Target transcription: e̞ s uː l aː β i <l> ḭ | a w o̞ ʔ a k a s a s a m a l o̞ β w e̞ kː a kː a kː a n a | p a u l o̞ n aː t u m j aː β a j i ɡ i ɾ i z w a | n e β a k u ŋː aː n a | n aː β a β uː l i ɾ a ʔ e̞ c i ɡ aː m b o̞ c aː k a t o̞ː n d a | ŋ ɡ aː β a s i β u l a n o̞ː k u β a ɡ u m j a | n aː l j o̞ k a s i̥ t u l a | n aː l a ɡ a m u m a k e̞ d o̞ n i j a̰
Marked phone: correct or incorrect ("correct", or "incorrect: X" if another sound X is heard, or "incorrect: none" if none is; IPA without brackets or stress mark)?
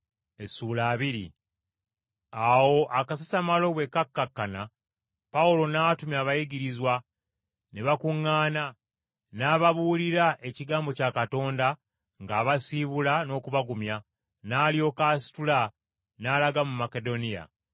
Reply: incorrect: ɾ